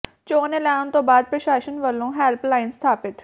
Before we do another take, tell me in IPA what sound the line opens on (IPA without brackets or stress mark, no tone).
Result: t͡ʃ